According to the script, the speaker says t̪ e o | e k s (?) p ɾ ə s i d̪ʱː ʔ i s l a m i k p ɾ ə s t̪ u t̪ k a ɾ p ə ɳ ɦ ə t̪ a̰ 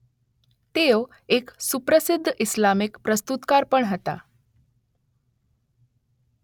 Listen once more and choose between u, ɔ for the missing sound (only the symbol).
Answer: u